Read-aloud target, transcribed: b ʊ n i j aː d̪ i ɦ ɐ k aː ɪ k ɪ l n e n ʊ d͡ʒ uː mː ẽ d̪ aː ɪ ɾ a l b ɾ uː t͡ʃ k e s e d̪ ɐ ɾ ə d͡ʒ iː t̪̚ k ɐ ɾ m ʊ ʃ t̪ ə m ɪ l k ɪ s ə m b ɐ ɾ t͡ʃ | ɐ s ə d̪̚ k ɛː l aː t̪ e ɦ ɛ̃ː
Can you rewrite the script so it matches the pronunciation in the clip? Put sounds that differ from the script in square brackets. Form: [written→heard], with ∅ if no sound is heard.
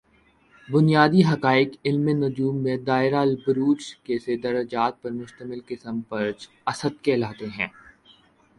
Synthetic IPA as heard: b ʊ n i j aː d̪ i ɦ ɐ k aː ɪ k ɪ l [n→m] e n ʊ d͡ʒ uː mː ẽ d̪ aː ɪ ɾ a l b ɾ uː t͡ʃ k e s e d̪ ɐ ɾ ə d͡ʒ [iː→aː] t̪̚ [k→p] ɐ ɾ m ʊ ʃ t̪ ə m ɪ l k ɪ s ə m [b→p] ɐ ɾ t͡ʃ | ɐ s ə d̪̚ k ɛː l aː t̪ e ɦ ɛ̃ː

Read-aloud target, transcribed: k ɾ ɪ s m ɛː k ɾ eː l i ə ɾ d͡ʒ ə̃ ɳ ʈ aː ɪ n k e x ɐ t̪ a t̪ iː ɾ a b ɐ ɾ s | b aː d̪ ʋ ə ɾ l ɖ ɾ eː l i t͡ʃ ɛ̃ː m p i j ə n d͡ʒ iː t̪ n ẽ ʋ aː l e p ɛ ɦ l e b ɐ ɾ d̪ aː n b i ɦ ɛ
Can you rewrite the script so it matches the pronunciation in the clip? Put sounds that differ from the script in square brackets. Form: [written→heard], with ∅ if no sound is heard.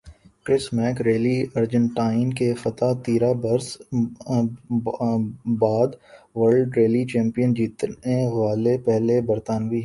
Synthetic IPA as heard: k ɾ ɪ s m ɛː k ɾ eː l i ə ɾ d͡ʒ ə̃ ɳ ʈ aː ɪ n k e [x→f] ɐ t̪ a t̪ iː ɾ a b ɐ ɾ s | b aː d̪ ʋ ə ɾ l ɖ ɾ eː l i t͡ʃ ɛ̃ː m p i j ə n d͡ʒ iː t̪ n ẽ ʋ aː l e p ɛ ɦ l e b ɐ ɾ [d̪→t̪] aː n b i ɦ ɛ

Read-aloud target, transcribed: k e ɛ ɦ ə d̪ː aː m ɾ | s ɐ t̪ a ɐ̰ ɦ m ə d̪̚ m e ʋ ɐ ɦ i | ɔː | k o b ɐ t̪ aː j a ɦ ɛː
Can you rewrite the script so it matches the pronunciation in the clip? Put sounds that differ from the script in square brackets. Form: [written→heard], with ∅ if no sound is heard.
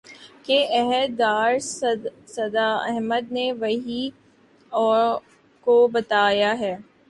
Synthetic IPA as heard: k e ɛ ɦ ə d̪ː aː [m→∅] ɾ | s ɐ [t̪→d̪] a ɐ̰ ɦ m ə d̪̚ [m→n] e ʋ ɐ ɦ i | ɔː | k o b ɐ t̪ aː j a ɦ ɛː

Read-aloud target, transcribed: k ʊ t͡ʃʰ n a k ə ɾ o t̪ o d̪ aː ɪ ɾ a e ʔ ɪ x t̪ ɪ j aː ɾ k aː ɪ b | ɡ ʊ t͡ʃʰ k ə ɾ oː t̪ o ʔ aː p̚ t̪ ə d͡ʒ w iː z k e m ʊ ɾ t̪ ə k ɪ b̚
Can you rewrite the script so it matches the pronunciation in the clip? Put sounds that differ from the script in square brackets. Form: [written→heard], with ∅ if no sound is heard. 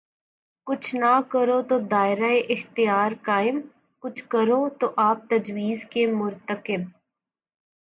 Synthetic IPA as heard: k ʊ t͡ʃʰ n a k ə ɾ o t̪ o d̪ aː ɪ ɾ a e ʔ ɪ x t̪ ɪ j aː ɾ k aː ɪ [b→m] | [ɡ→k] ʊ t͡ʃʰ k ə ɾ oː t̪ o ʔ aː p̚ t̪ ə d͡ʒ w iː z k e m ʊ ɾ t̪ ə k ɪ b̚

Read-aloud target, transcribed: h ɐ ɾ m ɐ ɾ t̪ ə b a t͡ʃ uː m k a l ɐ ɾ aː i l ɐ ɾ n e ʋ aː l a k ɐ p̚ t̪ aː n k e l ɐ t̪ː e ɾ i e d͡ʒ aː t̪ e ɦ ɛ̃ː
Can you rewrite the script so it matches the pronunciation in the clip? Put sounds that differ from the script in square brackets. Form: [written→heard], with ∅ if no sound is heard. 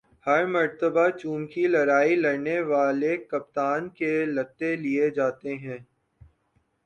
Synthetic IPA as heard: h ɐ ɾ m ɐ ɾ t̪ ə b a t͡ʃ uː m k [a→i] l ɐ ɾ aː i l ɐ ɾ n e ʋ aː l [a→e] k ɐ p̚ t̪ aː n k e l ɐ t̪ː e [ɾ→l] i e d͡ʒ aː t̪ e ɦ ɛ̃ː

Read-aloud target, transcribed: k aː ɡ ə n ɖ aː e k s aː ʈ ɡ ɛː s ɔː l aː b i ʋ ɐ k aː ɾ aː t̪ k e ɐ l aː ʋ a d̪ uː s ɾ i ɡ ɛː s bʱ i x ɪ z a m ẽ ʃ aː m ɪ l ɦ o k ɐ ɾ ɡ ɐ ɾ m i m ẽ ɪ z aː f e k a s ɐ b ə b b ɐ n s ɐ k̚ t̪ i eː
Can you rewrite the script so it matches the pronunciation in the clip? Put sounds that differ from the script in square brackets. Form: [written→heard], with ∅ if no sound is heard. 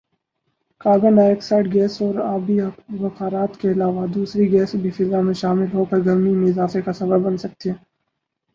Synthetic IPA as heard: k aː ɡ ə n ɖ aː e k s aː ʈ ɡ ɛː s ɔː [l→ɾ] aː b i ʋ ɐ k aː ɾ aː t̪ k e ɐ l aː ʋ a d̪ uː s ɾ i ɡ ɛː s bʱ i [x→f] ɪ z a m ẽ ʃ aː m ɪ l ɦ o k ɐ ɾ ɡ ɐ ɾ m i m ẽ ɪ z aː f e k a s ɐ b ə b b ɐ n s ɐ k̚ t̪ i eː

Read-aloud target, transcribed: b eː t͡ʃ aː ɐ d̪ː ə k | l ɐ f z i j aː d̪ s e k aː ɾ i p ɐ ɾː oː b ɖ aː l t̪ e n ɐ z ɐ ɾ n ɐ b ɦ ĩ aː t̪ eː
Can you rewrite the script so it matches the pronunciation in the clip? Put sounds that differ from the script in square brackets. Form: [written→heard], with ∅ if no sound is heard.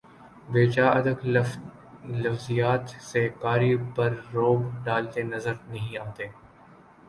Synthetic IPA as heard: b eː t͡ʃ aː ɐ [d̪ː→d̪] ə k | l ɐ f z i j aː [d̪→t̪] s e k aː ɾ i p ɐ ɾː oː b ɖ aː l t̪ e n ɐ z [ɐ→ə] ɾ n ɐ [b→∅] ɦ ĩ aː t̪ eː

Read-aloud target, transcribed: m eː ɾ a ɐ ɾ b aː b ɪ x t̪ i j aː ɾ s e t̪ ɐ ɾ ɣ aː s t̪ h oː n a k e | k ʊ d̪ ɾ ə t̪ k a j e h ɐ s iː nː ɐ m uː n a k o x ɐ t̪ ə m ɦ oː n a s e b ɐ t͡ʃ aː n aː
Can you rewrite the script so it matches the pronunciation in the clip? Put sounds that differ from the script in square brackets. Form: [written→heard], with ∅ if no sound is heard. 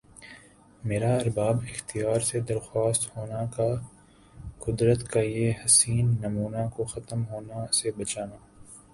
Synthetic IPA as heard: m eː ɾ a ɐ ɾ b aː b ɪ x t̪ i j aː ɾ s e [t̪→d̪] ɐ ɾ [ɣ→x] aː s t̪ h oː n a k [e→a] | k ʊ d̪ ɾ ə t̪ k a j e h ɐ s iː nː ɐ m uː n a k o x ɐ t̪ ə m ɦ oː n a s e b ɐ t͡ʃ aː n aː

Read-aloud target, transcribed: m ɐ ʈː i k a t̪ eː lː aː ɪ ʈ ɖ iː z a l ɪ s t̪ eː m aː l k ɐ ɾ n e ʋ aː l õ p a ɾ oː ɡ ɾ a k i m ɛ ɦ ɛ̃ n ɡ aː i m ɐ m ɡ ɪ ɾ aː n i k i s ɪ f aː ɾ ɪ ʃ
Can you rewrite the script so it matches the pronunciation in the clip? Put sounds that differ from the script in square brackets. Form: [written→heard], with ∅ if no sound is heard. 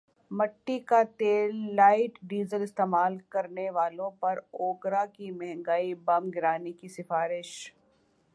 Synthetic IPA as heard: m ɐ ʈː i k a t̪ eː lː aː ɪ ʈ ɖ iː z [a→ə] l ɪ s t̪ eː m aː l k ɐ ɾ n e ʋ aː l õ p [a→ɐ] ɾ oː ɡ ɾ a k i m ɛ ɦ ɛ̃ [n→ŋ] ɡ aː i [m→b] ɐ m ɡ ɪ ɾ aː n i k i s ɪ f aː ɾ ɪ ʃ

